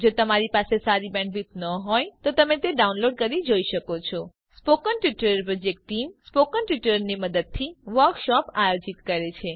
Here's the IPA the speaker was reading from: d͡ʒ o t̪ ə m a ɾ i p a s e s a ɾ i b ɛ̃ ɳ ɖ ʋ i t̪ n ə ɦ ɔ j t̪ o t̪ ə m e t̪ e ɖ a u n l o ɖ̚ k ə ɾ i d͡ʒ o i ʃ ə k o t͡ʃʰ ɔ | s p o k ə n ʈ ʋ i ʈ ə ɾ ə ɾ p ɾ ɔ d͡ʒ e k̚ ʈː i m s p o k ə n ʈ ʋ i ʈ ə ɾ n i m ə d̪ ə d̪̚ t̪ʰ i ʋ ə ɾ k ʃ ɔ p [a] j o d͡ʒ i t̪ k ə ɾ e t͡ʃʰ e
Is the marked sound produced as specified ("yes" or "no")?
yes